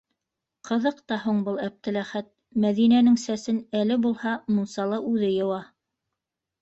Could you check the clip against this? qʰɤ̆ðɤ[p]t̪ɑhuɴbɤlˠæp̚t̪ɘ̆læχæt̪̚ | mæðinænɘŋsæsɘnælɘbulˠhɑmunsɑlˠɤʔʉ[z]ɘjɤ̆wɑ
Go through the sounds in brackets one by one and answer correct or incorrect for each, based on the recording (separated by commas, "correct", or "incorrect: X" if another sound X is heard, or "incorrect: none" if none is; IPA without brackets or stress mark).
incorrect: q, incorrect: ð